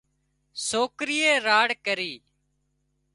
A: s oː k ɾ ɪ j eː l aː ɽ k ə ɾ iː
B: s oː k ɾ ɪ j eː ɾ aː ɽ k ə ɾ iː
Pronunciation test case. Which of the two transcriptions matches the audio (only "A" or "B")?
B